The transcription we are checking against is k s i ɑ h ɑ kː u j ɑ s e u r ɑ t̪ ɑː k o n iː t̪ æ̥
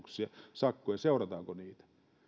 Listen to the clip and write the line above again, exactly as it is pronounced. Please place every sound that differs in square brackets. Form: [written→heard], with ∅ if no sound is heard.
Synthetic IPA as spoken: k s i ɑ [h→s] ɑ kː [u→o] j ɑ s e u r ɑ t̪ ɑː k o n iː t̪ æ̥

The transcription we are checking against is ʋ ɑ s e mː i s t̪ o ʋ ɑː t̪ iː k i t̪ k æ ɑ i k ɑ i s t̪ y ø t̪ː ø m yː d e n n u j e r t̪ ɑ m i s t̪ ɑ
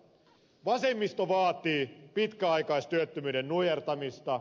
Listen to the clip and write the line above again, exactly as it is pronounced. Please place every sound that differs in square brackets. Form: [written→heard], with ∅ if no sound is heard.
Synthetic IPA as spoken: ʋ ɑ s e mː i s t̪ o ʋ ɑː t̪ iː [k→p] i t̪ k æ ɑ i k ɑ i s t̪ y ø t̪ː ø m yː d e n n u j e r t̪ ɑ m i s t̪ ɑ

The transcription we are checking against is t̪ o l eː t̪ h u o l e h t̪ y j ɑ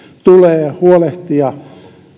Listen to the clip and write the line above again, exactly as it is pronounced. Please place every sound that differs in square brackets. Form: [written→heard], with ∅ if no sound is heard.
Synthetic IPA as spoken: t̪ [o→u] l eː [t̪→∅] h u o l e h t̪ [y→i] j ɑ

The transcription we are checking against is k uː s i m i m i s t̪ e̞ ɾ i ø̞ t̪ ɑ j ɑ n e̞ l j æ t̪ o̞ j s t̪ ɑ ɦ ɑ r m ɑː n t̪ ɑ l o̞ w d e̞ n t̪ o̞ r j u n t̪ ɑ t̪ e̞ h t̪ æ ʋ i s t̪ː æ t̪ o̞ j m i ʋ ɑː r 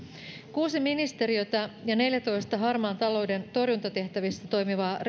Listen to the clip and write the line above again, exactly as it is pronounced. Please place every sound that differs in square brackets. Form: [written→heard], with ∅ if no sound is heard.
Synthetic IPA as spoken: k uː s i m i [m→n] i s t̪ e̞ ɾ i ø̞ t̪ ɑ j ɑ n e̞ l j æ t̪ o̞ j s t̪ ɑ ɦ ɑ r m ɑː n t̪ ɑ l o̞ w d e̞ n t̪ o̞ r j u n t̪ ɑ t̪ e̞ h t̪ æ ʋ i s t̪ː æ t̪ o̞ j m i ʋ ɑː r

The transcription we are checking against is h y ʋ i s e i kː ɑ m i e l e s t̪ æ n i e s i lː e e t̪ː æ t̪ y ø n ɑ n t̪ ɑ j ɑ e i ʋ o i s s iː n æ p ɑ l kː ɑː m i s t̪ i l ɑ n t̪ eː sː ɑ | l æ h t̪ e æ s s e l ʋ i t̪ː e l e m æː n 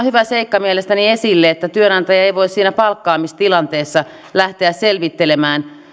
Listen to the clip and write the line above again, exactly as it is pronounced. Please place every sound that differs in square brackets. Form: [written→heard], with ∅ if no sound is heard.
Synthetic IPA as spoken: h y ʋ [i→æ] s e i kː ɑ m i e l e s t̪ æ n i e s i lː e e t̪ː æ t̪ y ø n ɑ n t̪ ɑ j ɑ e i ʋ o i s s iː n æ p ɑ l kː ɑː m i s t̪ i l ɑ n t̪ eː sː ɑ | l æ h t̪ e æ s s e l ʋ i t̪ː e l e m æː n

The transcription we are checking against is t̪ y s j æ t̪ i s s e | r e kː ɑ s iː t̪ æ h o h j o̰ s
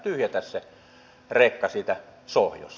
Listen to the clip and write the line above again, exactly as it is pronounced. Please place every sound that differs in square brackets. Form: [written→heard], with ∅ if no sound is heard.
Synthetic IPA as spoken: t̪ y [s→h] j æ t̪ [i→æ] s s e | r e kː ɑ s iː t̪ æ [h→s] o h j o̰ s

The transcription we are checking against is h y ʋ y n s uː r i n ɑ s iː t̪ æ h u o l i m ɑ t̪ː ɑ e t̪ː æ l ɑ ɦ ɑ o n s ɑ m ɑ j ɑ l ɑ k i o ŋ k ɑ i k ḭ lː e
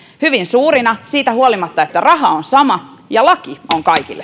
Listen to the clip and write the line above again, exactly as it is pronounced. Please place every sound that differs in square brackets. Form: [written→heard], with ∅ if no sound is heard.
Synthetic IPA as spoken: h y ʋ [y→i] n s uː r i n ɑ s iː t̪ æ h u o l i m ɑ t̪ː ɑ e t̪ː æ [l→r] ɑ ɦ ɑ o n s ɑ m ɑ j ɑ l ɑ k i o ŋ k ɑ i k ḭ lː e

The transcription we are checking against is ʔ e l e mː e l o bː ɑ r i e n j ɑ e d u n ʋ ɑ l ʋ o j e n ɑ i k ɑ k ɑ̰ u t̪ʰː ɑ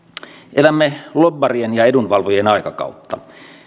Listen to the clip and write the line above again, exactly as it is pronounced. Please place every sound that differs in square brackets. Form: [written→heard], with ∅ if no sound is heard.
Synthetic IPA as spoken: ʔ e l [e→æ] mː e l o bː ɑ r i e n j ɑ e d u n ʋ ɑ l ʋ o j e n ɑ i k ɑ k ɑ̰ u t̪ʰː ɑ

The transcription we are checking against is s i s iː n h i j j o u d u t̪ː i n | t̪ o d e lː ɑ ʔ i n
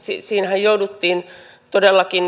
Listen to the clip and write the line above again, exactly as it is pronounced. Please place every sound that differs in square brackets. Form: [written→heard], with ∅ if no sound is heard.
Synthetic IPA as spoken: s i s iː n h [i→æ] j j o u d u t̪ː [i→iː] n | t̪ o d e lː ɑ [ʔ→k] i n

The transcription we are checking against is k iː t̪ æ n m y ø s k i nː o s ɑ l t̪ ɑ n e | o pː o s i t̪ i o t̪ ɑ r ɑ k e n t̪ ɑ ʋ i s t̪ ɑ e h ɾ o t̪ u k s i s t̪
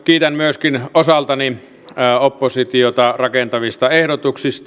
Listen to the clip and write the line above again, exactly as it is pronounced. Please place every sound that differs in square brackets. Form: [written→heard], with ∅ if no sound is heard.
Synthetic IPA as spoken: k iː t̪ æ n m y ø s k i [nː→n] o s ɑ l t̪ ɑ n [e→i] | o pː o s i t̪ i o t̪ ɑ r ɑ k e n t̪ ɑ ʋ i s t̪ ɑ e h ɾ o t̪ u k s i s t̪

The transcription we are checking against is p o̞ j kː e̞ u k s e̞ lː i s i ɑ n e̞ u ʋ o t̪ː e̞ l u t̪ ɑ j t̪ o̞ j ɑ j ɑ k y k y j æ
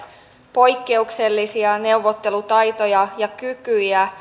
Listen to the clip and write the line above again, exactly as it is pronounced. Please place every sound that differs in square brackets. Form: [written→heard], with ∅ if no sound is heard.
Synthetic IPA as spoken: p o̞ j kː e̞ u k s e̞ lː i s i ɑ n e̞ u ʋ o t̪ː e̞ l u t̪ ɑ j t̪ o̞ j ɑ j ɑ k y k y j æ

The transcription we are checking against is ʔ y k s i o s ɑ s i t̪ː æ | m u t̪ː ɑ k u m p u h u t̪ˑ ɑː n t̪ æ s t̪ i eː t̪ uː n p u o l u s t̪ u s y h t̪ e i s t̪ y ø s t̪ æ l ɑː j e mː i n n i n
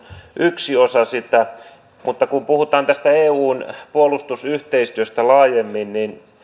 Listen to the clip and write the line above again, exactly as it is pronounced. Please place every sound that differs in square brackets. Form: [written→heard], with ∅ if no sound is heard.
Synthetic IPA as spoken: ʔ y k s i o s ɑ s i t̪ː æ | m u t̪ː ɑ k u m p u h u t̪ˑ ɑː n t̪ æ s t̪ [i→æ] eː [t̪→∅] uː n p u o l u s t̪ u s y h t̪ e i s t̪ y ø s t̪ æ l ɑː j e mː i n n i n

